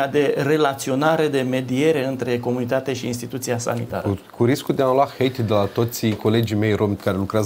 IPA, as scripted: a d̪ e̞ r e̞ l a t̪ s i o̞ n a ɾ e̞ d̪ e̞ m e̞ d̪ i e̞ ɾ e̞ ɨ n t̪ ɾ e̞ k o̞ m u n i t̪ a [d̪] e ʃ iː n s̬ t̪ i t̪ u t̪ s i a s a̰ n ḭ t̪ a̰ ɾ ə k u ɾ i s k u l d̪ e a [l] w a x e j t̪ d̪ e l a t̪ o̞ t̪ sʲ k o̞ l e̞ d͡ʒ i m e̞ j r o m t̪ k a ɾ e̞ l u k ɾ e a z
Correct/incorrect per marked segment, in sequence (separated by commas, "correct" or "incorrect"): incorrect, correct